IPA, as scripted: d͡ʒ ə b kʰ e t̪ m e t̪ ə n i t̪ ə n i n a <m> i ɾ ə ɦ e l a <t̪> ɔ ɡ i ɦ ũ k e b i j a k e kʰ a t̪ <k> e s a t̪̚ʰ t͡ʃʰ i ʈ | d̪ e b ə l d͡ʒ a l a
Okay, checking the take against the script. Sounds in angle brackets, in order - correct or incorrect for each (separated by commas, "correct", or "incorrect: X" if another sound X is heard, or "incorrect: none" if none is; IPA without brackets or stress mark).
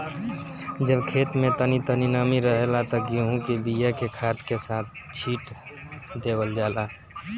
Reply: correct, correct, correct